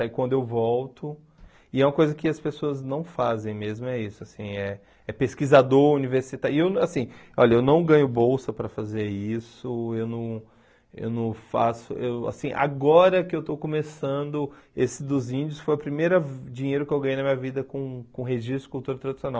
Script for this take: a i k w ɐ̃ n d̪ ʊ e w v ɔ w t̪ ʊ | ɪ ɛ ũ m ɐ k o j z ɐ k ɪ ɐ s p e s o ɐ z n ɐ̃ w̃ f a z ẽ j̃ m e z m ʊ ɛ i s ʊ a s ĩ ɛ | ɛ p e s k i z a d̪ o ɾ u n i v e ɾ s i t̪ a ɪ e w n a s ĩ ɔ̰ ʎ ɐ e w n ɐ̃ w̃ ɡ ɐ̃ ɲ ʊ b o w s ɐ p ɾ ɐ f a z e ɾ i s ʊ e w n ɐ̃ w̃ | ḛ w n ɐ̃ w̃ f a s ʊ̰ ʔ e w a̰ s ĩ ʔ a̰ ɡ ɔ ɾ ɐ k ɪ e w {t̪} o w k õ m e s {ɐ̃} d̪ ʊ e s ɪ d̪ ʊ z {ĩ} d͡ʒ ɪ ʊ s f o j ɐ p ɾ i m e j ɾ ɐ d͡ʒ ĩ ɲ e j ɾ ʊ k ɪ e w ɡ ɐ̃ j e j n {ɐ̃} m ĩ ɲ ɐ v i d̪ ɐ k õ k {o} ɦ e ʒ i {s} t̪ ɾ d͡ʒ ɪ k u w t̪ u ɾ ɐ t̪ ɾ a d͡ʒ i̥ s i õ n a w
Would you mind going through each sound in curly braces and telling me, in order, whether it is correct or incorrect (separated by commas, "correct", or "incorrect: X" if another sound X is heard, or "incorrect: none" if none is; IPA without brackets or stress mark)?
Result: correct, correct, correct, incorrect: ɐ, incorrect: õ, correct